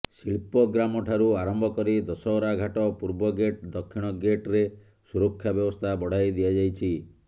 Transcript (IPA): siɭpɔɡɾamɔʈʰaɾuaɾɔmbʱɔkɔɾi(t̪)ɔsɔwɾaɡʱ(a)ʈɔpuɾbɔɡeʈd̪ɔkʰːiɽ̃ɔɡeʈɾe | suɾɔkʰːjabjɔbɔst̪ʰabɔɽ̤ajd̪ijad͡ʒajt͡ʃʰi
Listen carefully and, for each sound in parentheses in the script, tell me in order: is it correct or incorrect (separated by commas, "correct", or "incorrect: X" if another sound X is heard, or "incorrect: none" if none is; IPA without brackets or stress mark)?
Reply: incorrect: d̪, correct